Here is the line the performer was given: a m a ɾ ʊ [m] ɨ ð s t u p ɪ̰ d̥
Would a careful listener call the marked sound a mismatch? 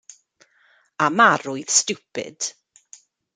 yes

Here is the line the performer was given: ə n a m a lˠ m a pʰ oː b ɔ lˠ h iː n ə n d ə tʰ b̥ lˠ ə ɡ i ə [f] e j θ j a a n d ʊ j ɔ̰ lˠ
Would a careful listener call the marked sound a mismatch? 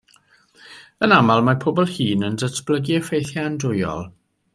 no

